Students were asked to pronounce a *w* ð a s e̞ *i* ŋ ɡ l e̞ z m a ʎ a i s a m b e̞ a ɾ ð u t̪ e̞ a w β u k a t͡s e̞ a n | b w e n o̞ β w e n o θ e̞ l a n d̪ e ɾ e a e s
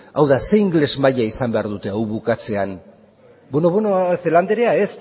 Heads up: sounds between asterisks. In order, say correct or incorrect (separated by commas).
correct, correct